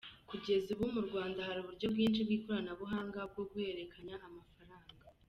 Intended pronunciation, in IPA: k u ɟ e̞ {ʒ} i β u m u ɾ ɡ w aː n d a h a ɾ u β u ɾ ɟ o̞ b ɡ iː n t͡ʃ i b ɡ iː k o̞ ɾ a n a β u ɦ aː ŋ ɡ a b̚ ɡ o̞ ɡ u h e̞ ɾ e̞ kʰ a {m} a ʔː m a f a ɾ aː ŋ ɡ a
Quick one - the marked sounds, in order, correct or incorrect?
incorrect, incorrect

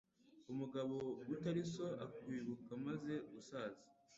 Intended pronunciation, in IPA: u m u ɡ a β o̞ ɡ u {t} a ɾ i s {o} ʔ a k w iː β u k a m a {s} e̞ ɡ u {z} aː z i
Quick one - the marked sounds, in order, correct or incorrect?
correct, correct, incorrect, incorrect

